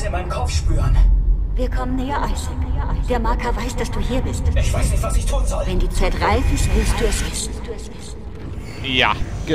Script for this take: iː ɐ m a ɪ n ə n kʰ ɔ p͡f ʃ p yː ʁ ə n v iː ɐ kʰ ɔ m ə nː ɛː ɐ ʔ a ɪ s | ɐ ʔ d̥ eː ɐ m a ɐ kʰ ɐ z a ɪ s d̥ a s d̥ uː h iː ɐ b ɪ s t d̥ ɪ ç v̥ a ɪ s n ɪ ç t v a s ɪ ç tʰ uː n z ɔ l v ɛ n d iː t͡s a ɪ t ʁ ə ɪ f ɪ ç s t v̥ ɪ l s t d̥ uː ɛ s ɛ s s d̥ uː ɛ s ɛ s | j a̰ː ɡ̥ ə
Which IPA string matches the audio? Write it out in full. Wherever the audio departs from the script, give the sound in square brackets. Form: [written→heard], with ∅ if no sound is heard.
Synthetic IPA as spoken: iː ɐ m a ɪ n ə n kʰ ɔ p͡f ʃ p yː ʁ ə n v iː ɐ kʰ ɔ m ə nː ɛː ɐ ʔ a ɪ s | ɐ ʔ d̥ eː ɐ m a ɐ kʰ ɐ [z→v] a ɪ s d̥ a s d̥ uː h iː ɐ b ɪ s t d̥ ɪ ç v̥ a ɪ s n ɪ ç t v a s ɪ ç tʰ uː n z ɔ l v ɛ n d iː t͡s a ɪ t ʁ [ə→a] ɪ f ɪ [ç→∅] s t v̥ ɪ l s t d̥ uː ɛ s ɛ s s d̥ uː ɛ s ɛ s | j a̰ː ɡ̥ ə